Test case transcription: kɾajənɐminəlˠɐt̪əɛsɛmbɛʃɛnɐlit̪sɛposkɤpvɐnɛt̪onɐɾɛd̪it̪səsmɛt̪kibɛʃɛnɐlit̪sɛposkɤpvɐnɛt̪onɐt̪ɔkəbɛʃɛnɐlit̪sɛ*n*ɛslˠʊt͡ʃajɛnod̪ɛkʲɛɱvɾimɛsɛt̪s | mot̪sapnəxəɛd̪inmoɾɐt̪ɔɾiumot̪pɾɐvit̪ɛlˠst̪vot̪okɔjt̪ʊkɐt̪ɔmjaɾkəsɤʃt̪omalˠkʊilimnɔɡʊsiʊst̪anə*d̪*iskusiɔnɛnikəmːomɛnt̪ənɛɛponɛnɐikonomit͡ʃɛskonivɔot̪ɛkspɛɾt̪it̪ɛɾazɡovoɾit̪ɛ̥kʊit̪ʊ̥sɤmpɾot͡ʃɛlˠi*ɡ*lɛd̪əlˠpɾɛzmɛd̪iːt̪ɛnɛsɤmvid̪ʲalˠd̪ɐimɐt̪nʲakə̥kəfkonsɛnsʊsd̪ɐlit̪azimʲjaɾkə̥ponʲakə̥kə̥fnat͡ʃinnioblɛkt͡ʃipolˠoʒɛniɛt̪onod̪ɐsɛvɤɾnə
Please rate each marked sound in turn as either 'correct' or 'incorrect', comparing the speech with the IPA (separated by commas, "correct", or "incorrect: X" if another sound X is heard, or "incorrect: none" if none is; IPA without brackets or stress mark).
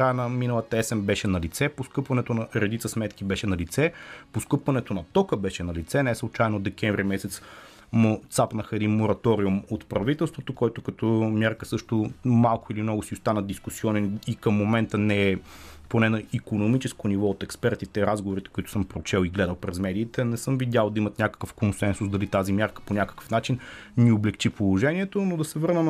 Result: correct, correct, correct